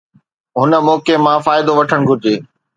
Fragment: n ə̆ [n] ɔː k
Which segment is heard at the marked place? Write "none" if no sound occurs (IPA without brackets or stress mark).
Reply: m